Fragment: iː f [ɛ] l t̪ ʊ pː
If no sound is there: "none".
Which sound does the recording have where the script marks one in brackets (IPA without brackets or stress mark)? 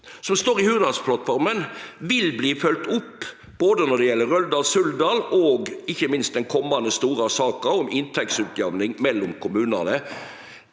œ